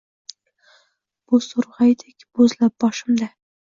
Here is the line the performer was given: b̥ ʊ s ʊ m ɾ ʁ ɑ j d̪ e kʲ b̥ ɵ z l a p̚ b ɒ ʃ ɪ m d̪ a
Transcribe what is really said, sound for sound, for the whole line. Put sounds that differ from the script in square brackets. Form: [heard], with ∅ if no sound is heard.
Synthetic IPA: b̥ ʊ s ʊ [∅] ɾ ʁ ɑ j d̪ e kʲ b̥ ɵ z l a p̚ b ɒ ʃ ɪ m d̪ a